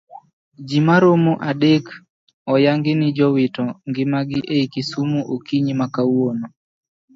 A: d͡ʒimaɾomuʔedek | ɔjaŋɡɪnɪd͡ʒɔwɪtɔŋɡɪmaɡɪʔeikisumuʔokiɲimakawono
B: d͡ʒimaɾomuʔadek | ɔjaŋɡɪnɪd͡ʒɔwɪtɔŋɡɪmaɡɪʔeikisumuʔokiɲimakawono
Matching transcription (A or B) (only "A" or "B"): B